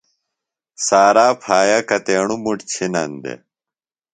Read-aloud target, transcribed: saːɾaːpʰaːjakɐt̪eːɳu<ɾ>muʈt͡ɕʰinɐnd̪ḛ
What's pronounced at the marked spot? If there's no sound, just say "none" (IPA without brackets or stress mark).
none